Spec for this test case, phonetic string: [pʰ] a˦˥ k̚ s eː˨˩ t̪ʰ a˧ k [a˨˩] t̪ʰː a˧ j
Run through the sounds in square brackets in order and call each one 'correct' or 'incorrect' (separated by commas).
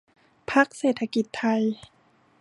correct, incorrect